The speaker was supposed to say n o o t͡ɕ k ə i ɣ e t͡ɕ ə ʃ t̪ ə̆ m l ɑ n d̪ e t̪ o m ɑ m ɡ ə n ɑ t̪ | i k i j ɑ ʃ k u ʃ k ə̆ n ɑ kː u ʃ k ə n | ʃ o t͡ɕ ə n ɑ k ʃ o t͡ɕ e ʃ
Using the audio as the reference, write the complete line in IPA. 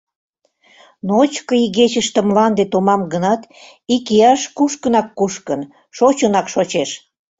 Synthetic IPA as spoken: n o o t͡ɕ k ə i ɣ e t͡ɕ ə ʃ t̪ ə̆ m l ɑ n d̪ e t̪ o m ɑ m ɡ ə n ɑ t̪ | i k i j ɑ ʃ k u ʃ k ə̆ n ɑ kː u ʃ k ə n | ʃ o t͡ɕ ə n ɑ k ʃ o t͡ɕ e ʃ